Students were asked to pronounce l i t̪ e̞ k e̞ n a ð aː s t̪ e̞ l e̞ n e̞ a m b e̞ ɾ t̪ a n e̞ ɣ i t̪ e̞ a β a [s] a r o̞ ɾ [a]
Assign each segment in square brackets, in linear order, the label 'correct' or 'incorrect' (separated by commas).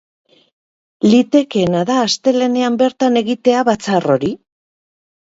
incorrect, incorrect